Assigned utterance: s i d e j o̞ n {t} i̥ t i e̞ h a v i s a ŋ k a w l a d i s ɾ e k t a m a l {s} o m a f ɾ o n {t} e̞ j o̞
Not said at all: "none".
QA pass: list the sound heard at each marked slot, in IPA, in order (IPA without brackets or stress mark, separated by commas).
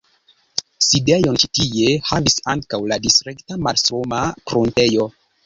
t͡ʃ, s, t